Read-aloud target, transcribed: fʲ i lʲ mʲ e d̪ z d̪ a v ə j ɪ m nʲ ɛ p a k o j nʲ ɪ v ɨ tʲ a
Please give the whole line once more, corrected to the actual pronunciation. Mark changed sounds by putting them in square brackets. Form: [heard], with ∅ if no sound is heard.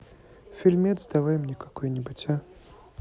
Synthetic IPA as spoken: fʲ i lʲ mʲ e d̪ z d̪ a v [a] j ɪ m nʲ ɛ [k] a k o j nʲ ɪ [b] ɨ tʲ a